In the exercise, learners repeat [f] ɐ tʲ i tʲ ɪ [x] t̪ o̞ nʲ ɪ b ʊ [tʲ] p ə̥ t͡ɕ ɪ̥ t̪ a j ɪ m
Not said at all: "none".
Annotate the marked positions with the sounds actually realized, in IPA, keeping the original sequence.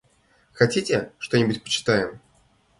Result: x, ʂ, tʲ

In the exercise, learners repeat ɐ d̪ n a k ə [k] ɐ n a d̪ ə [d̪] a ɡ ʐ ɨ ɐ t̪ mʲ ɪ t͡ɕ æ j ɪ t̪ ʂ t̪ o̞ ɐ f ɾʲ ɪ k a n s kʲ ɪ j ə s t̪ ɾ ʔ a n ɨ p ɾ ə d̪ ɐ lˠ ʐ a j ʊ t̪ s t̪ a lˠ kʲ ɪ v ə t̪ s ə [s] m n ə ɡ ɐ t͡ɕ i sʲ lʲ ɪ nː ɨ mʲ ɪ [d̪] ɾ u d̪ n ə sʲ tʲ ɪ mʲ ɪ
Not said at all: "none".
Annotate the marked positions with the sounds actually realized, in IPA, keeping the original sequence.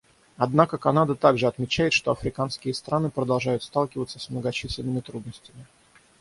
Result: k, t̪, s, t̪

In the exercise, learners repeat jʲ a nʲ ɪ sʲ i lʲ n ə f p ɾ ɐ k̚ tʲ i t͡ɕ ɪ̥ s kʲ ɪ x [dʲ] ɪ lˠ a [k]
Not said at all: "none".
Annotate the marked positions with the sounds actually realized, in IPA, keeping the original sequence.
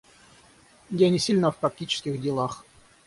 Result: dʲ, x

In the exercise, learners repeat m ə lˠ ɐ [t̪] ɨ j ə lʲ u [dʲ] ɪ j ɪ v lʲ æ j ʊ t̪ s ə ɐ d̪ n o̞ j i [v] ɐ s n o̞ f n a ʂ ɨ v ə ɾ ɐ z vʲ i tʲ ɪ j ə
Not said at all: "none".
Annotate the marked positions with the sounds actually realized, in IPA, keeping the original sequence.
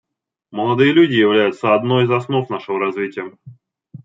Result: d̪, dʲ, z

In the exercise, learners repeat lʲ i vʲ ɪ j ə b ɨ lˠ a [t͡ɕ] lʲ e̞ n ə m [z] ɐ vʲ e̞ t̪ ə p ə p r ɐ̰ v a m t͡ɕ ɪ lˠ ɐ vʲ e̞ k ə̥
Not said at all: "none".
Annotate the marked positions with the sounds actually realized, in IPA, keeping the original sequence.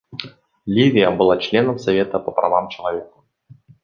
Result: t͡ɕ, s

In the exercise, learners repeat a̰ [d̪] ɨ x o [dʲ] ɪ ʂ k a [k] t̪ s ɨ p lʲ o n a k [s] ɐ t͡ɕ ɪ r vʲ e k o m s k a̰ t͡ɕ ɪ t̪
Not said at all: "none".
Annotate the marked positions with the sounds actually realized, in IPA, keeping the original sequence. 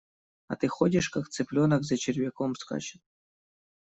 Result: t̪, dʲ, k, z

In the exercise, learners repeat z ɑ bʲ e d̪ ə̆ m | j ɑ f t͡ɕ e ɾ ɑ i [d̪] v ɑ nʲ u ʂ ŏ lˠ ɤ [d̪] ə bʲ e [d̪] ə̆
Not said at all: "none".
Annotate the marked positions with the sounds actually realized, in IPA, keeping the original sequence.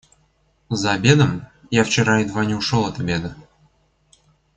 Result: d̪, t̪, d̪

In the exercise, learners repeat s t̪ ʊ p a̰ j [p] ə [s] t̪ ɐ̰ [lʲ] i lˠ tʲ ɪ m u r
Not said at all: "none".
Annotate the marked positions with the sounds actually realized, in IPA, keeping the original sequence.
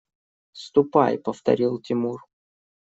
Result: p, f, ɾʲ

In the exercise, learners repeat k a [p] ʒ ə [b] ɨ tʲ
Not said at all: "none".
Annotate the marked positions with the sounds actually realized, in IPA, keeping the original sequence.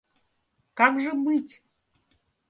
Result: k, b

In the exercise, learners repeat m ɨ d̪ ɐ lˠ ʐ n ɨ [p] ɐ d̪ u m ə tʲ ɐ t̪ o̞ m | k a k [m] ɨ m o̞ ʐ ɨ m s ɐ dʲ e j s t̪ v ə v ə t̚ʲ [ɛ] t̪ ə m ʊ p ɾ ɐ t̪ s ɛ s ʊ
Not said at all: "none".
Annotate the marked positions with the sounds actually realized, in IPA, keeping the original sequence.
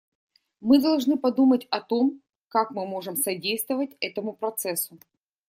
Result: p, m, ɛ

